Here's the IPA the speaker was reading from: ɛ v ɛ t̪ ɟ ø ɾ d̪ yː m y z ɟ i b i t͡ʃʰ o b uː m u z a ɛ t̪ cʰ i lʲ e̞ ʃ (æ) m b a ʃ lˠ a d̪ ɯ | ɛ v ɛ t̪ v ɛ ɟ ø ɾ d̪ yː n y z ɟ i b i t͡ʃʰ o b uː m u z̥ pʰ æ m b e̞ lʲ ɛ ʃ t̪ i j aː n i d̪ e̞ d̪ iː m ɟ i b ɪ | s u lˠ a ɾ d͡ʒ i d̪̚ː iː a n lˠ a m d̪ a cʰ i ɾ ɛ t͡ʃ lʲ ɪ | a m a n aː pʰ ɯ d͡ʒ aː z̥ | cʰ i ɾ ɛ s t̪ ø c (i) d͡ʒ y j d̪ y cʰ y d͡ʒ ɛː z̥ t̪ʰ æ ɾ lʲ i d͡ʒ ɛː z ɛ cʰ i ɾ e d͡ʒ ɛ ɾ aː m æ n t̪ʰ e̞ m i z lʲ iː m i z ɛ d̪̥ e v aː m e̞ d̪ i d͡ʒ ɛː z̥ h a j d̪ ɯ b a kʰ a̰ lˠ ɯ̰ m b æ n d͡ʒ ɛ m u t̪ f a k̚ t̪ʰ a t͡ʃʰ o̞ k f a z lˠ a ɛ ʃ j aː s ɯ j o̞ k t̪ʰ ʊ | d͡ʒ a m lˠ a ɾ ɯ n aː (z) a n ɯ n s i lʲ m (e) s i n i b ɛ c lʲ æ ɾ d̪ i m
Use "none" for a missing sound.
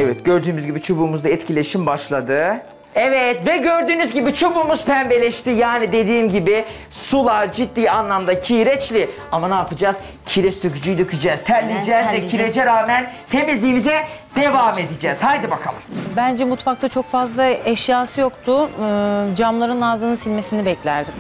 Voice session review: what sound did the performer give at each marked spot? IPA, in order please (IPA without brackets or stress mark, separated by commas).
i, y, z, e